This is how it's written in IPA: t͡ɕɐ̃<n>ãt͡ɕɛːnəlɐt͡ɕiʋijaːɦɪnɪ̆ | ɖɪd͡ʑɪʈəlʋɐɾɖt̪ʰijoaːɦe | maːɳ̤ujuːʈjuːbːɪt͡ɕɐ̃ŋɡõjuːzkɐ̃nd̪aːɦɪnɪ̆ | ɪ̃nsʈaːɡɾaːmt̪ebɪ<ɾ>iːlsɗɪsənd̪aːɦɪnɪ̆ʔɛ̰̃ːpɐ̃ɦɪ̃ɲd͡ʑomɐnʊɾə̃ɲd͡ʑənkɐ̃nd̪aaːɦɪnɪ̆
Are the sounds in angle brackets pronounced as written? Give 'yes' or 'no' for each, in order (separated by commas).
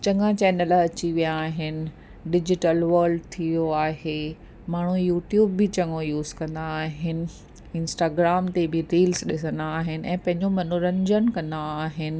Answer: no, yes